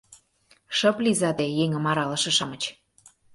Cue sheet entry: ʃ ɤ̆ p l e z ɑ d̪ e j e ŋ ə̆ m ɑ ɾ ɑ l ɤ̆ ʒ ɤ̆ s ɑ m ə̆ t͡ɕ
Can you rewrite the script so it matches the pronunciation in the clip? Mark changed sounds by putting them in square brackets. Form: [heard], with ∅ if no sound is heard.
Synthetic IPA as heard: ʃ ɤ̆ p l [i] z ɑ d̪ e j e ŋ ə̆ m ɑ ɾ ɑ l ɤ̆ [ʃ] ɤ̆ [ʃ] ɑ m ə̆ t͡ɕ